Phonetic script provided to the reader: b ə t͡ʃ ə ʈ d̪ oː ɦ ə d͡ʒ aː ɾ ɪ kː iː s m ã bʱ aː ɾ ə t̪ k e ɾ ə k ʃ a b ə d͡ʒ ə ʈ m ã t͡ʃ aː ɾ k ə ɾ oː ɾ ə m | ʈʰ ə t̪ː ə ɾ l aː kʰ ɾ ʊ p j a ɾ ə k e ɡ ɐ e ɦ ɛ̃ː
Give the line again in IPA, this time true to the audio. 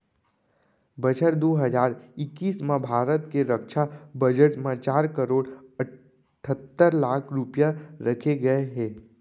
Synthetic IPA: b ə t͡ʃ ə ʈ d̪ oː ɦ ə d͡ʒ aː ɾ ɪ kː iː s m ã bʱ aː ɾ ə t̪ k e ɾ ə k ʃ a b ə d͡ʒ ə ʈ m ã t͡ʃ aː ɾ k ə ɾ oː ɽ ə | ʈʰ ə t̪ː ə ɾ l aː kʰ ɾ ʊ p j a ɾ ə kʰ e ɡ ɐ e ɦ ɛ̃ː